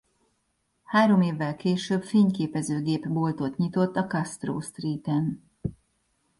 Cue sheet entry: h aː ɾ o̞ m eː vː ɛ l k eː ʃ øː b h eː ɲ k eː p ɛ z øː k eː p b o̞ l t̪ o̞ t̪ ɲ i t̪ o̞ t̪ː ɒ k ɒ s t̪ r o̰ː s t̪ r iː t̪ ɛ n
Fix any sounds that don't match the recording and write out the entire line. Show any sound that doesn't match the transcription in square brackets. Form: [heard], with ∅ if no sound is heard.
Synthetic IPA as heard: h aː ɾ o̞ m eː vː ɛ l k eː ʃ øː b [f] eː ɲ k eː p ɛ z øː [ɡ] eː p b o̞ l t̪ o̞ t̪ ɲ i t̪ o̞ t̪ː ɒ k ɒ s t̪ r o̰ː s t̪ r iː t̪ ɛ n

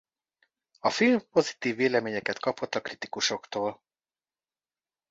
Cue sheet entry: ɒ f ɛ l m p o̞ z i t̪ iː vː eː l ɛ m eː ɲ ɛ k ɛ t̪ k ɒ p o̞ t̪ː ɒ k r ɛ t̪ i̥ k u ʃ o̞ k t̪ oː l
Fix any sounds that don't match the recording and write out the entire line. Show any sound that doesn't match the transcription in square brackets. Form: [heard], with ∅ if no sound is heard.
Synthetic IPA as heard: ɒ f [i] l m p o̞ z i t̪ iː vː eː l ɛ m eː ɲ ɛ k ɛ t̪ k ɒ p o̞ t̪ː ɒ k r [i] t̪ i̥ k u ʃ o̞ k t̪ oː l

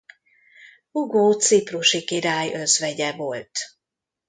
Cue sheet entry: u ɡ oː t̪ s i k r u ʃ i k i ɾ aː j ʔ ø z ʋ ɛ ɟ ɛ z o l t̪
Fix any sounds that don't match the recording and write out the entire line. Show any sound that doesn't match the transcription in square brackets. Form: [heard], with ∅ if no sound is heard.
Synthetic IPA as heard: u ɡ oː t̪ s i [p] r u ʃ i k i ɾ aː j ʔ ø z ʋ ɛ ɟ ɛ [v] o l t̪

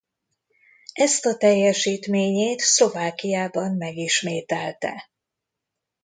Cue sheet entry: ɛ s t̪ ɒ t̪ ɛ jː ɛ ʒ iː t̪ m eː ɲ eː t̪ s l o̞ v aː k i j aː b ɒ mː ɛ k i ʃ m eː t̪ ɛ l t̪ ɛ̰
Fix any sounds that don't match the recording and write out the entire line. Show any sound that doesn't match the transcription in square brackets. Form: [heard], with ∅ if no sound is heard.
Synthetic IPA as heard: ɛ s t̪ ɒ t̪ ɛ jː ɛ [ʃ] iː t̪ m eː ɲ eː t̪ s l o̞ v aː k i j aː b ɒ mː ɛ [ɡ] i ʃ m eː t̪ ɛ l t̪ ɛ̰

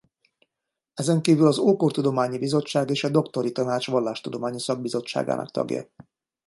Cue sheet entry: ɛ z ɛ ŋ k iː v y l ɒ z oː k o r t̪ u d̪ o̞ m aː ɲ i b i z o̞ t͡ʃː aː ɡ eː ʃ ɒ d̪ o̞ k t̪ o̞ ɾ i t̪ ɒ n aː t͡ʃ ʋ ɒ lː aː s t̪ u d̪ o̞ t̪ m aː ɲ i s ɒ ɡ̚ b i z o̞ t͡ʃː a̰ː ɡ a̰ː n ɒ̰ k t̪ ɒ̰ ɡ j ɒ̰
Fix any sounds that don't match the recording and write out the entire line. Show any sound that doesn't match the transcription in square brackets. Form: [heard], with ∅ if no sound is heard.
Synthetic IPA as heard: ɛ z ɛ ŋ k iː v y l ɒ z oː k o r t̪ u d̪ o̞ m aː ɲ i b i z o̞ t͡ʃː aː ɡ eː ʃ ɒ d̪ o̞ k t̪ o̞ ɾ i t̪ ɒ n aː t͡ʃ ʋ ɒ lː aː [ʃ] t̪ u d̪ o̞ [∅] m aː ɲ i s ɒ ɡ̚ b i z o̞ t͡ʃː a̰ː ɡ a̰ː n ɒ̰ k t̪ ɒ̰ ɡ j ɒ̰

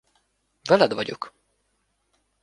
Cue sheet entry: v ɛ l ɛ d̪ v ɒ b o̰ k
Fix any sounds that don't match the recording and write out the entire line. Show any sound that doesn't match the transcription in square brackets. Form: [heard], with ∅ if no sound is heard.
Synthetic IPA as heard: v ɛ l ɛ d̪ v ɒ [ɟ] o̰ k

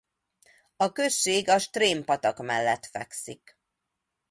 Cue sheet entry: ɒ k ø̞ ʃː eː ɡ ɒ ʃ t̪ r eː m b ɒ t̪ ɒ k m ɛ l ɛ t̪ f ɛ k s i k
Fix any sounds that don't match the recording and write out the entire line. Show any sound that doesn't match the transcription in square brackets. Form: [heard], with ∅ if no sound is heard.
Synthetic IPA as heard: ɒ k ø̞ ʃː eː ɡ ɒ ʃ t̪ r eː m [p] ɒ t̪ ɒ k m ɛ [lː] ɛ t̪ f ɛ k s i k

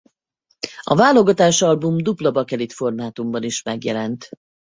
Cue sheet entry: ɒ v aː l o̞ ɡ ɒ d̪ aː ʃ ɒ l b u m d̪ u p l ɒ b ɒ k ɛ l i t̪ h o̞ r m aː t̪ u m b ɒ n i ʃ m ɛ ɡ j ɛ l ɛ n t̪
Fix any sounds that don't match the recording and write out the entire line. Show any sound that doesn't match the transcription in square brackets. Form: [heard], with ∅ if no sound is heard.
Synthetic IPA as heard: ɒ v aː l o̞ ɡ ɒ [t̪] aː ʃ ɒ l b u m d̪ u p l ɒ b ɒ k ɛ l i t̪ [f] o̞ r m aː t̪ u m b ɒ n i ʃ m ɛ ɡ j ɛ l ɛ n t̪

